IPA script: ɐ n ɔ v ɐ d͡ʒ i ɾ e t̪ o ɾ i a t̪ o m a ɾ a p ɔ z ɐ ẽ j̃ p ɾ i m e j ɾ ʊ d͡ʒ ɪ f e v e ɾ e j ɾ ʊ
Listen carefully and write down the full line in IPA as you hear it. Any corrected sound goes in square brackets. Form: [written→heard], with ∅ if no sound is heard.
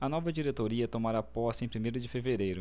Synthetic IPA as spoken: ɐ n ɔ v ɐ d͡ʒ i ɾ e t̪ o ɾ i [a→ɐ] t̪ o m a ɾ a p ɔ [z→s] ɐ ẽ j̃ p ɾ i m e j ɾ ʊ d͡ʒ ɪ f e v e ɾ e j ɾ ʊ